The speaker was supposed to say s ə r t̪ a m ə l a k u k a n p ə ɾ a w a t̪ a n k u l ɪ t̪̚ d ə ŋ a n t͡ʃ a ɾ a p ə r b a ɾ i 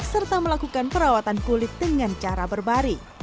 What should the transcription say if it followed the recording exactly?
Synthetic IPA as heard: s ə r t̪ a m ə l a k u k a n p ə ɾ a w a t̪ a n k u l ɪ t̪̚ d ə ŋ a n t͡ʃ a ɾ a b ə r b a ɾ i